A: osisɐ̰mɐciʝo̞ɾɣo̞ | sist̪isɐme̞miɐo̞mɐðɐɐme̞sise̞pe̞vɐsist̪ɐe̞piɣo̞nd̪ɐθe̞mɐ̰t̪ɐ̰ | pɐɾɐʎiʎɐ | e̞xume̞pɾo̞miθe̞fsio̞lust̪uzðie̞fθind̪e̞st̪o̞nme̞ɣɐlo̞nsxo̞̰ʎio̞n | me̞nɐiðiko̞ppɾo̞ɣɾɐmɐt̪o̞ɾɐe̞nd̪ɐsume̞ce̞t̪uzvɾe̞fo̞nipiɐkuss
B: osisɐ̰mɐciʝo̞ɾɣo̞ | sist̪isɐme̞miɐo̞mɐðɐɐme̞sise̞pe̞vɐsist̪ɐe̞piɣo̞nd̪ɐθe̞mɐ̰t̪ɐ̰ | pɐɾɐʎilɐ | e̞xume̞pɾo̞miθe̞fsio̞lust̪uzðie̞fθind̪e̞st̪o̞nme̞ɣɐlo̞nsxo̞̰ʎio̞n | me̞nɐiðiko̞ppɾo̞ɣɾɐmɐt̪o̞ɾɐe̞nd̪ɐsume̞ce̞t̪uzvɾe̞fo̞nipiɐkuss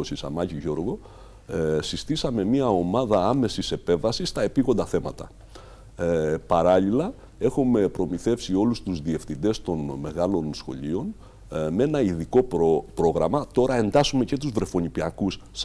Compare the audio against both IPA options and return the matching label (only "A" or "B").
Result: B